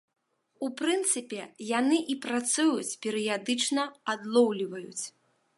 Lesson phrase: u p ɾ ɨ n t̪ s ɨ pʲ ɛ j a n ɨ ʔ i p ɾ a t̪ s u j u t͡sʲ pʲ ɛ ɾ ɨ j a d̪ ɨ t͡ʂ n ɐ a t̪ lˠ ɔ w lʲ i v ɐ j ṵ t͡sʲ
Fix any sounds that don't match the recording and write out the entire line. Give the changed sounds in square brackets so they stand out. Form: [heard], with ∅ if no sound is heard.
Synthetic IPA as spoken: u p ɾ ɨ n t̪ s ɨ pʲ ɛ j a n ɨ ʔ i p ɾ a t̪ s u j u t͡sʲ pʲ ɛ ɾ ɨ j a d̪ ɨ t͡ʂ n ɐ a [d̪] lˠ ɔ w lʲ i v ɐ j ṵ t͡sʲ